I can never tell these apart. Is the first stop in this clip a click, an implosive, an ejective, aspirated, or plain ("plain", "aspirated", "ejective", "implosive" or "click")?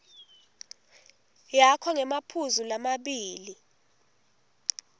aspirated